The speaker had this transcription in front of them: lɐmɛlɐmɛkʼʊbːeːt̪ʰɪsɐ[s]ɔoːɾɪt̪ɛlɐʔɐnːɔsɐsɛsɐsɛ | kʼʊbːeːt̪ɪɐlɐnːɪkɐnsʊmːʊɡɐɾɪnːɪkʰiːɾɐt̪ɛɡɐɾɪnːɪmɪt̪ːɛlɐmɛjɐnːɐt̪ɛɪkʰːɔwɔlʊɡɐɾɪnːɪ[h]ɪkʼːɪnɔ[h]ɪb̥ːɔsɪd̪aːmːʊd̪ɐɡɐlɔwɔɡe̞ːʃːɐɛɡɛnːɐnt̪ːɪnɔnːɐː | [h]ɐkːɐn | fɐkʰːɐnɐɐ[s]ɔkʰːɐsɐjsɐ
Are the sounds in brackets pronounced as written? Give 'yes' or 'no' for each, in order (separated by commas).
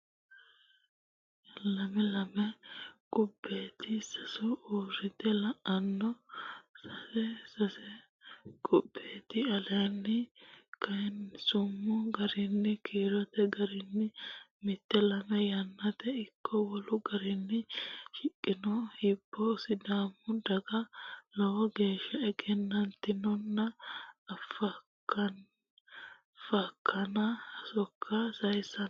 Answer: yes, no, yes, no, yes